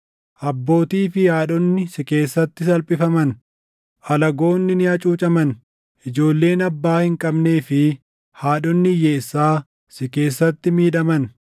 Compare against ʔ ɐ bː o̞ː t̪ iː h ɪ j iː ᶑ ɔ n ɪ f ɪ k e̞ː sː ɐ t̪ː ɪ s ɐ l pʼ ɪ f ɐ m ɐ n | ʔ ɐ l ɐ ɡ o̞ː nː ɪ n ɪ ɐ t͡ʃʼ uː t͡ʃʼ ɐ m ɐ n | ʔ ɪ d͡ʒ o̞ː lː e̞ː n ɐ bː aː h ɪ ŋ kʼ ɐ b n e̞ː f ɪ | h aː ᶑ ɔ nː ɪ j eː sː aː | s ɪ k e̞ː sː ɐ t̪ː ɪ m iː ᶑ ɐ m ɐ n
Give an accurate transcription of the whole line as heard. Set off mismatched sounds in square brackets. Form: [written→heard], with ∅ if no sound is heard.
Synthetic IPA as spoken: ʔ ɐ bː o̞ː t̪ iː [h→f] ɪ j [iː→aː] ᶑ ɔ [n→nː] ɪ [f→s] ɪ k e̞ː sː ɐ t̪ː ɪ s ɐ l pʼ ɪ f ɐ m ɐ n | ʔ ɐ l ɐ ɡ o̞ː nː ɪ n ɪ ɐ t͡ʃʼ uː t͡ʃʼ ɐ m ɐ n | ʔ ɪ d͡ʒ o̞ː lː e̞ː n ɐ bː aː h ɪ ŋ kʼ ɐ b n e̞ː f ɪ | h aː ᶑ ɔ nː ɪ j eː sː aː | s ɪ k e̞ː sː ɐ t̪ː ɪ m iː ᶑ ɐ m ɐ n

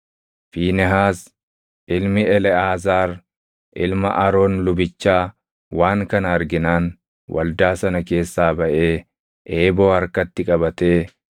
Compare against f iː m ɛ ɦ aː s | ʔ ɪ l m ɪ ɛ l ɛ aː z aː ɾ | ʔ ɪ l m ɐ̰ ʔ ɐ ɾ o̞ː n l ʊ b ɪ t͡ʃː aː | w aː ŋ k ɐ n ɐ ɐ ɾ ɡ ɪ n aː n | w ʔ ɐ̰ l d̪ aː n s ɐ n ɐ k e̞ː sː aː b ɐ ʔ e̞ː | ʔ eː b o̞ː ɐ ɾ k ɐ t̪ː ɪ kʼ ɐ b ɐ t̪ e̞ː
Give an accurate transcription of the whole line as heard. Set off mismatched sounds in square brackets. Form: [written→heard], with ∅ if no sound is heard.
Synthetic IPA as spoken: f iː [m→n] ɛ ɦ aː s | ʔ ɪ l m ɪ ɛ l ɛ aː z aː ɾ | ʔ ɪ l m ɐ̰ ʔ ɐ ɾ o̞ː n l ʊ b ɪ t͡ʃː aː | w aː ŋ k ɐ n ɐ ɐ ɾ ɡ ɪ n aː n | w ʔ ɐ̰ l d̪ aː [n→∅] s ɐ n ɐ k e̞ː sː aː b ɐ ʔ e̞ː | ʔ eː b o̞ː ɐ ɾ k ɐ t̪ː ɪ kʼ ɐ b ɐ t̪ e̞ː

